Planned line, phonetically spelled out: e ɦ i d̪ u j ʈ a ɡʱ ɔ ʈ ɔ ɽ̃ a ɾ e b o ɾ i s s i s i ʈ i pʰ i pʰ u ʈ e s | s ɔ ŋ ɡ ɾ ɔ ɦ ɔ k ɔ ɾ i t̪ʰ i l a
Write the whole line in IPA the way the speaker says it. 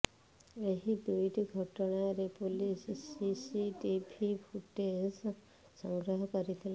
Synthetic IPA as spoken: e ɦ i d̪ u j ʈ i ɡʱ ɔ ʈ ɔ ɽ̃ a ɾ e p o l i s s i s i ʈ i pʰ i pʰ u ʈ e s | s ɔ ŋ ɡ ɾ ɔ ɦ ɔ k ɔ ɾ i t̪ʰ i l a